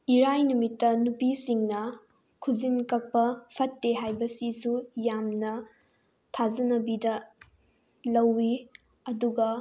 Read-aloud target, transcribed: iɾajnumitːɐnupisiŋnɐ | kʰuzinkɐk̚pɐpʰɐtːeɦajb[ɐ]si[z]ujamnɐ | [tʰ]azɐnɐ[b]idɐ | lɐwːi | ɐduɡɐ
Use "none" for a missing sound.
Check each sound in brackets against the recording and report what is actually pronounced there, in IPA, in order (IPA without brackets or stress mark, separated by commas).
ɐ, s, tʰ, b